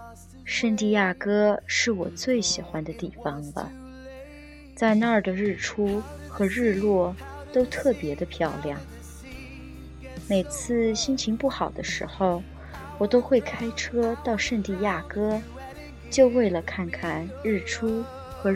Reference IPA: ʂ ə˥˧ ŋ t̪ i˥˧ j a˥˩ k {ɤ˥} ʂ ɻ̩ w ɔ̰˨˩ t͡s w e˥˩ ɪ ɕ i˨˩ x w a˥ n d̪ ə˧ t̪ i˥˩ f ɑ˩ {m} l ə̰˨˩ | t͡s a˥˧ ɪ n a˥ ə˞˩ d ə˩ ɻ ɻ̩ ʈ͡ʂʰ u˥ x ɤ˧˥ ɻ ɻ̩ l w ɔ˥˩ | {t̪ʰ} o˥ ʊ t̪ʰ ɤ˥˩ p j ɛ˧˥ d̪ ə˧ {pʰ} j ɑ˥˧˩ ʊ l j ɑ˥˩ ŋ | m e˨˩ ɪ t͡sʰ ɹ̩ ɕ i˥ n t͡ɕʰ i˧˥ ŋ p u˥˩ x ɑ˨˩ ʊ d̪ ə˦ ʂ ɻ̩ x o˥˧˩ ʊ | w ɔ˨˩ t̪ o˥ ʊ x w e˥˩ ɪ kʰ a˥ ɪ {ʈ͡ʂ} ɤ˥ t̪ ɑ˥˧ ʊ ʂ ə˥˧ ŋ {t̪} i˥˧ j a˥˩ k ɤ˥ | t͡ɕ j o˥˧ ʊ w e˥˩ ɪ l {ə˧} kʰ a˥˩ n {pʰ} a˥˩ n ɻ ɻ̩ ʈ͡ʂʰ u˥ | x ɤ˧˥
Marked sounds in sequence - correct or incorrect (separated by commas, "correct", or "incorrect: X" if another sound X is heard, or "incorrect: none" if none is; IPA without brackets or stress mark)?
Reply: correct, incorrect: ŋ, incorrect: t̪, correct, incorrect: ʈ͡ʂʰ, correct, incorrect: ə˩, incorrect: kʰ